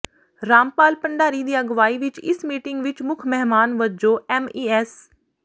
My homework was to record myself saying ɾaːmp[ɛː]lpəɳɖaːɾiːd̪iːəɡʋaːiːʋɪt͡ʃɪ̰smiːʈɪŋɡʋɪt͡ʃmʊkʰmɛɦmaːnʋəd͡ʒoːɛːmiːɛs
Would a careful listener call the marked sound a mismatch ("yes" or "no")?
yes